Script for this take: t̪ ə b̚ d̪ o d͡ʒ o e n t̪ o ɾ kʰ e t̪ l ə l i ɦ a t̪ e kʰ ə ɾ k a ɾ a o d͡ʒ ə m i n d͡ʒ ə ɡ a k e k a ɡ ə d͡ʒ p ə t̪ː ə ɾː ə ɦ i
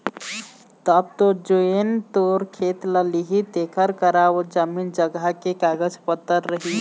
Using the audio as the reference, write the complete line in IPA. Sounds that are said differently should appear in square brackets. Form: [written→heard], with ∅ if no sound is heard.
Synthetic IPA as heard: t̪ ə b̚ [d̪→t̪] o d͡ʒ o e n t̪ o ɾ kʰ e t̪ l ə l i ɦ [a→i] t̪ e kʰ ə ɾ k [a→ə] ɾ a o d͡ʒ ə m i n d͡ʒ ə ɡ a k e k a ɡ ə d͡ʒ p ə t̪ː ə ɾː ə ɦ i